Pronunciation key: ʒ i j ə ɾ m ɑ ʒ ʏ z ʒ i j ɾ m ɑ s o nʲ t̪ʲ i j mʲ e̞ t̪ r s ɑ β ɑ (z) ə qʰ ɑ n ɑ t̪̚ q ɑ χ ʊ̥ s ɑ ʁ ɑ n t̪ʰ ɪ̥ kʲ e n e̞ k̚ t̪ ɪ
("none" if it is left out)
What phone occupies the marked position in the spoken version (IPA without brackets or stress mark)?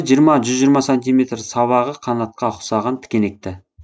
ʁ